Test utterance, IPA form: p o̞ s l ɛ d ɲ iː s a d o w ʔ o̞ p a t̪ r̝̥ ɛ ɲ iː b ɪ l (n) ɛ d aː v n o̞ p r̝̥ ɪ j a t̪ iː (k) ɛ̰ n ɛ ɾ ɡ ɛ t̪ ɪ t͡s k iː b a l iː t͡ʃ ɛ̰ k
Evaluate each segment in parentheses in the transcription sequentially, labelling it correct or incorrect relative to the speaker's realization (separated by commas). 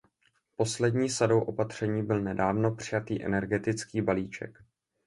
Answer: correct, incorrect